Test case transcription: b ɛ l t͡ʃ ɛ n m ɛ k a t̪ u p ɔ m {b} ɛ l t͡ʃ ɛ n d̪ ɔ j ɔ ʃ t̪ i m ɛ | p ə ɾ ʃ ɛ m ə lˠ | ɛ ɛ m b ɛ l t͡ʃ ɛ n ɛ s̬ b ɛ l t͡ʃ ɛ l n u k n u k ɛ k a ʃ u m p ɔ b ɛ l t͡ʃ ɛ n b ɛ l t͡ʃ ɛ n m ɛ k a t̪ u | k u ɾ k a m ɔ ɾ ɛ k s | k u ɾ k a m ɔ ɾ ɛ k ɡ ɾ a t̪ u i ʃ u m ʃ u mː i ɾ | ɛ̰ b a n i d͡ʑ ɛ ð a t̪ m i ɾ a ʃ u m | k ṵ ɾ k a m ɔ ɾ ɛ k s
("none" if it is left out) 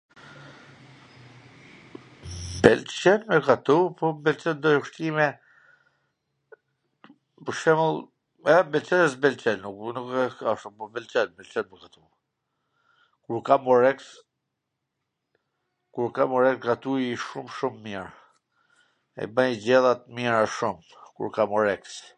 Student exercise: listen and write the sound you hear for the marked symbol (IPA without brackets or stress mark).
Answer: b